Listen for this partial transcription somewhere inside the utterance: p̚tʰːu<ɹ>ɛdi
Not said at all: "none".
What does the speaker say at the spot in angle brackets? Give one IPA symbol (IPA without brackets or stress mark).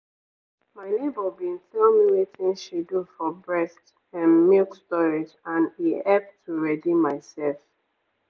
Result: ɹ